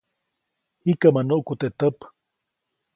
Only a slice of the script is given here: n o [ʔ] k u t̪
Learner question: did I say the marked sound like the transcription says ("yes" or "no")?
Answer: yes